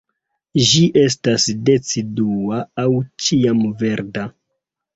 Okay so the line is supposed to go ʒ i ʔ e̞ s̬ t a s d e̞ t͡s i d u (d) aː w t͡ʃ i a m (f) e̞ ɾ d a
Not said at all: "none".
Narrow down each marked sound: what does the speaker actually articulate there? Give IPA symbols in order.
none, v

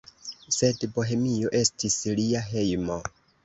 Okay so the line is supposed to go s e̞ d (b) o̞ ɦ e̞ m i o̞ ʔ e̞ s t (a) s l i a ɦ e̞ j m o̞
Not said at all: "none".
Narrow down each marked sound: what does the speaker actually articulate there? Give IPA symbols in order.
b, i

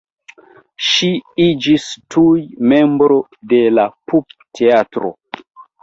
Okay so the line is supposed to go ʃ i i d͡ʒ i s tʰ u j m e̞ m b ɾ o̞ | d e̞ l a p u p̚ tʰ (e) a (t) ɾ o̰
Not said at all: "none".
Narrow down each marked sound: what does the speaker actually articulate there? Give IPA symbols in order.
e, t

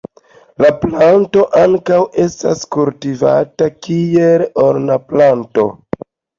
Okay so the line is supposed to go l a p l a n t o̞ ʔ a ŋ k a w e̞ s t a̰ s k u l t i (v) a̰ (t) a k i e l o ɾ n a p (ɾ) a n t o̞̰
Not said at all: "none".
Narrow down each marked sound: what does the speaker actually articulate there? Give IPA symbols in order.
v, t, l

